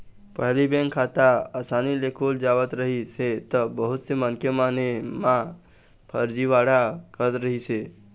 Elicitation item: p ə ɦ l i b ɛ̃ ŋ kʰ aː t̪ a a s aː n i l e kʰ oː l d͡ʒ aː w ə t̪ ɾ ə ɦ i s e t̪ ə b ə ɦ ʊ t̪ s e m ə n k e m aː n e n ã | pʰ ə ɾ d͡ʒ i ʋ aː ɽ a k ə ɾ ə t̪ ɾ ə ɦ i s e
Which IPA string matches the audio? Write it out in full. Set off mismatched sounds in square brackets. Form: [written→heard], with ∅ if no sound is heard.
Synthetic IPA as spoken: p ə ɦ l i b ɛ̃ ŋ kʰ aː t̪ a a s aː n i l e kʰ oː l d͡ʒ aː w ə t̪ ɾ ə ɦ i s e t̪ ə b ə ɦ ʊ t̪ s e m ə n k e m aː n e [n→m] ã | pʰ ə ɾ d͡ʒ i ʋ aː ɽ a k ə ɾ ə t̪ ɾ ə ɦ i s e